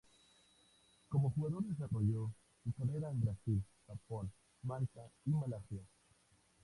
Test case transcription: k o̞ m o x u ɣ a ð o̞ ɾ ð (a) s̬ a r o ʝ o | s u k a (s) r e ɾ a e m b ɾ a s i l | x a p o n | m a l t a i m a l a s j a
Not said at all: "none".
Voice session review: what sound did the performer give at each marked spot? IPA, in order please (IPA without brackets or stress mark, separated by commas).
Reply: e, none